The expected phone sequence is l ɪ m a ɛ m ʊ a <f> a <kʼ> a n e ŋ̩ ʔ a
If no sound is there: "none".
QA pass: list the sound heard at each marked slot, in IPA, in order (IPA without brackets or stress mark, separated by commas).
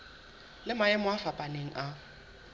f, pʼ